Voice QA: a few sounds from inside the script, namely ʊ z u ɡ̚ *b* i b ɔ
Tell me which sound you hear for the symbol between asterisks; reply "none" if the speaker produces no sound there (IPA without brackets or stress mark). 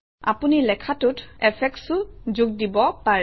d